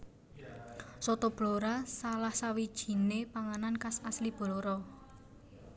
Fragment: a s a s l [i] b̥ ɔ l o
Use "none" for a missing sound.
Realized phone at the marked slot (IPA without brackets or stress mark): i